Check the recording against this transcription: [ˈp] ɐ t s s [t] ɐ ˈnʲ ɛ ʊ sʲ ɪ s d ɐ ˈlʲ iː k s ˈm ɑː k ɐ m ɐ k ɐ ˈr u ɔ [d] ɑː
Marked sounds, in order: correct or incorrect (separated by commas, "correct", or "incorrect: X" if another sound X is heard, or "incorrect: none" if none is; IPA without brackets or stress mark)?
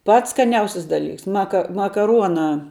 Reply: correct, incorrect: k, incorrect: n